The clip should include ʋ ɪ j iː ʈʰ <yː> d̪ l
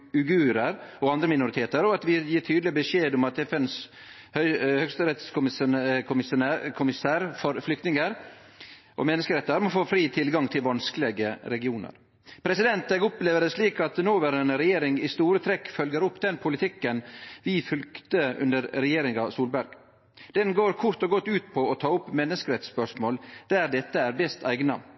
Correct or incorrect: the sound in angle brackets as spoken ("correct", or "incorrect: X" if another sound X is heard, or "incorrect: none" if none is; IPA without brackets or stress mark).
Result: correct